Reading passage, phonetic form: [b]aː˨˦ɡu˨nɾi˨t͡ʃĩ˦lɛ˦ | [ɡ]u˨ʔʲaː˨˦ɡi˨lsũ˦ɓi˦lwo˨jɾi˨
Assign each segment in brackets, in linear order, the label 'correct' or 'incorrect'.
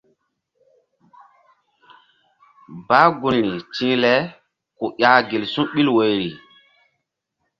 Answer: correct, incorrect: k

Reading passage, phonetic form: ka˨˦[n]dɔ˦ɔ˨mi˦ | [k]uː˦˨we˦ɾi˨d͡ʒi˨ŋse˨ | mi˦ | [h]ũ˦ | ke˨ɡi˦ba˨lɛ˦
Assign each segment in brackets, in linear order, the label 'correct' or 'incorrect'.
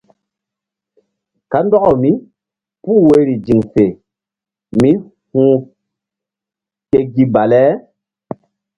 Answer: correct, incorrect: p, correct

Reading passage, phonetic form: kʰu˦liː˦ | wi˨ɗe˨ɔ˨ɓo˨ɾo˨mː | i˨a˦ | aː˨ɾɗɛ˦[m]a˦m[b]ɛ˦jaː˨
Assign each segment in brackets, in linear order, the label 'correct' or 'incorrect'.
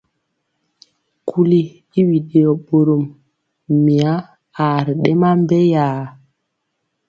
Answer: correct, correct

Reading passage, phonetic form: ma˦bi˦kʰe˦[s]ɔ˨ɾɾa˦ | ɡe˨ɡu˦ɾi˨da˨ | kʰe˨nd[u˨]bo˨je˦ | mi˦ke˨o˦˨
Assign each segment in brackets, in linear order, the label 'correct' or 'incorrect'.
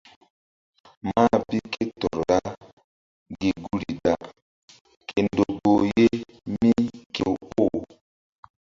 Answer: incorrect: t, incorrect: o˨

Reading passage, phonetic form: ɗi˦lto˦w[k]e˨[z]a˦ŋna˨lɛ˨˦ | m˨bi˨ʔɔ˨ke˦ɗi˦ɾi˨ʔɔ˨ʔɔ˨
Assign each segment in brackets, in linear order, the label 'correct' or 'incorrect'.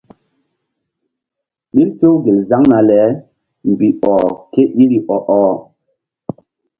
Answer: incorrect: ɡ, correct

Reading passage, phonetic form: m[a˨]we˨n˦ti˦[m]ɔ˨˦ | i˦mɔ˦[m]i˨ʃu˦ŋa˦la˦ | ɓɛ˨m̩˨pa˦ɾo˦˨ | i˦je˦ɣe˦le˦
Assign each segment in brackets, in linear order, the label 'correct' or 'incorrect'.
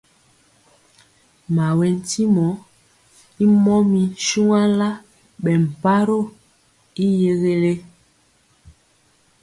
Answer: correct, correct, correct

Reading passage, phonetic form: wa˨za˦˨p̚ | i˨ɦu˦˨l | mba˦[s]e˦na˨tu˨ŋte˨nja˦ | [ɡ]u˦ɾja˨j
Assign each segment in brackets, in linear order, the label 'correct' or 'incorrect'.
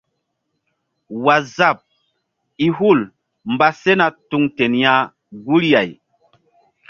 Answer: correct, correct

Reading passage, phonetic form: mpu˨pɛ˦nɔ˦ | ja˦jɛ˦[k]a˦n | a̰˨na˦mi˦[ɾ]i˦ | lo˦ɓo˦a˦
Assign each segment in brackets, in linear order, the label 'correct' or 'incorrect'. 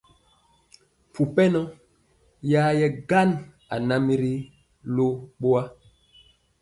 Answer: incorrect: ɡ, correct

